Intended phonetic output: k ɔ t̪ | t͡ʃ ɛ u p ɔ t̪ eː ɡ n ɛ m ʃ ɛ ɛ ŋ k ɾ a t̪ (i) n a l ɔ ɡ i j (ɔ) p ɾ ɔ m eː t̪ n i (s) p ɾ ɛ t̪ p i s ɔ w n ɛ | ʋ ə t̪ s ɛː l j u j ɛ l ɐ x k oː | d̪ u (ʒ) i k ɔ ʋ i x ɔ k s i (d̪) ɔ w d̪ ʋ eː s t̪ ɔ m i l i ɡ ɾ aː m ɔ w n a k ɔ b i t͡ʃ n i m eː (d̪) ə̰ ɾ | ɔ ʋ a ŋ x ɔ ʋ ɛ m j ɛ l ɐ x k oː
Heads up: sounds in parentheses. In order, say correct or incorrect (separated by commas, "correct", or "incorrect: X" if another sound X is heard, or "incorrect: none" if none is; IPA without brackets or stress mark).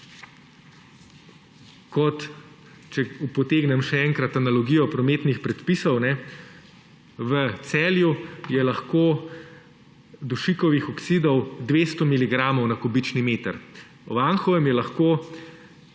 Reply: incorrect: a, correct, incorrect: x, incorrect: ʃ, correct, incorrect: t̪